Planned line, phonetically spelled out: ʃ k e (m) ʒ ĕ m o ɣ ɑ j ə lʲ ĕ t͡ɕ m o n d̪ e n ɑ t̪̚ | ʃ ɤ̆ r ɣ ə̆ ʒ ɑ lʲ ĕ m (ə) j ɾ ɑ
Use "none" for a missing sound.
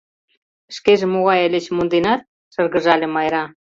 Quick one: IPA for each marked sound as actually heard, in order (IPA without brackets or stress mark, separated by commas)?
none, ɑ